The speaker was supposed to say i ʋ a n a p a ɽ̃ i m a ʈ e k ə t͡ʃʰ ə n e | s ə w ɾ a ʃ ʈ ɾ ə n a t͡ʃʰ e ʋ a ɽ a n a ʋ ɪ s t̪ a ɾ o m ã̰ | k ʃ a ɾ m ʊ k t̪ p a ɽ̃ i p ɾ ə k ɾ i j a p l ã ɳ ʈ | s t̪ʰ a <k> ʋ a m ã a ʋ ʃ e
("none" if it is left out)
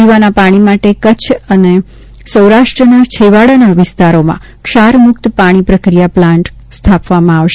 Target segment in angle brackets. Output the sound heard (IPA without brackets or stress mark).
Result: p